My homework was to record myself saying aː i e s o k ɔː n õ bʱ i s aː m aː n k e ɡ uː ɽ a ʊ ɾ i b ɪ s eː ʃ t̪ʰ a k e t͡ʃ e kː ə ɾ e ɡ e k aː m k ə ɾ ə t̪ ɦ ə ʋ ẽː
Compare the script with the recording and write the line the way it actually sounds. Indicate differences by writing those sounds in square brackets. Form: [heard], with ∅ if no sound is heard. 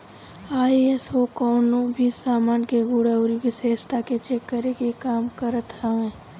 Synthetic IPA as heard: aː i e s o k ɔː n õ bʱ i s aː m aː n k e ɡ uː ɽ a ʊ ɾ i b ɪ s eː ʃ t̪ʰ a k e t͡ʃ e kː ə ɾ e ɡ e k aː m k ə ɾ ə t̪ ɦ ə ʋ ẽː